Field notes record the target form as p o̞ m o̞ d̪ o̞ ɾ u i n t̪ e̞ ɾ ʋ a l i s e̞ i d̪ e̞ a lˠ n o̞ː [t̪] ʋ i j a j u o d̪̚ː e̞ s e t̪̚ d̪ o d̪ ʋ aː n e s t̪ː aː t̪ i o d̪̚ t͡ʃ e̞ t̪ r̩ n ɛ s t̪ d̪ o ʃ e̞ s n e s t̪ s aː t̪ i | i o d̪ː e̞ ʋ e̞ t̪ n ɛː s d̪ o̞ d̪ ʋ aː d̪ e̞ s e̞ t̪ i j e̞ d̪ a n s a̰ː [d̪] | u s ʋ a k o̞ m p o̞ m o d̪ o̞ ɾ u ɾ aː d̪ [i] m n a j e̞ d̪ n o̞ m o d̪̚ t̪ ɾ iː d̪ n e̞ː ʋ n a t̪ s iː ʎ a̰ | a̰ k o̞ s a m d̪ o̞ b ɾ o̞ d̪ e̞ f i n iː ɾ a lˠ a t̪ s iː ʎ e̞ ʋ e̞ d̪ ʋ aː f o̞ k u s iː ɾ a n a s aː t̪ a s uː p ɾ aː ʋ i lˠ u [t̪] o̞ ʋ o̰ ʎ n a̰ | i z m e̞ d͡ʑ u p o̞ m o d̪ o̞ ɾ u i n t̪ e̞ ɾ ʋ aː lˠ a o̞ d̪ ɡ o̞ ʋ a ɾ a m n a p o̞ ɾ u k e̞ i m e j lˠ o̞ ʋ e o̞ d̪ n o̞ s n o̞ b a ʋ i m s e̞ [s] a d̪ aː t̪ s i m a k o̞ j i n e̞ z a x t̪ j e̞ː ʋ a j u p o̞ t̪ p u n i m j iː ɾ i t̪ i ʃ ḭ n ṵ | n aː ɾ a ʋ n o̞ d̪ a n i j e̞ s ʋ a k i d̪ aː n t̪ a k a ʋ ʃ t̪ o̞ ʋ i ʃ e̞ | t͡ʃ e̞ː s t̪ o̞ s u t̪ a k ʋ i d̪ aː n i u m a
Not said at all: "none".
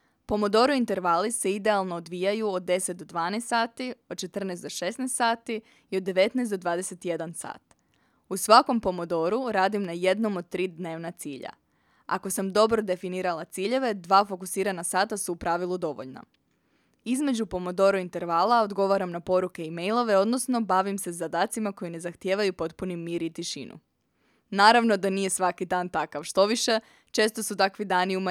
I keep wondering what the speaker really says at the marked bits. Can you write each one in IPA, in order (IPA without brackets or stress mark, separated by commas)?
d̪, t̪, i, d̪, z